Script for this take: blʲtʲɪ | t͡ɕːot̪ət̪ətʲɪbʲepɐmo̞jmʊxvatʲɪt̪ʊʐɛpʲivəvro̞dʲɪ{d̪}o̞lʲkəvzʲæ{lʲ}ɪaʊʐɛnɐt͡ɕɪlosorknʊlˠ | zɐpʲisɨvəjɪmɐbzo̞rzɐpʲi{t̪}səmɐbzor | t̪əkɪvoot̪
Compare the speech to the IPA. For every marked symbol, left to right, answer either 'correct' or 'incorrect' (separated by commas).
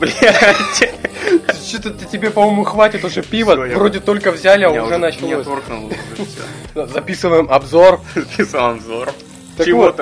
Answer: incorrect, correct, incorrect